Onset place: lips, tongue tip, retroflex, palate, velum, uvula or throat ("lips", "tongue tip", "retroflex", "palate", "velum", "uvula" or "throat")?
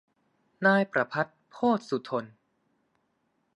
tongue tip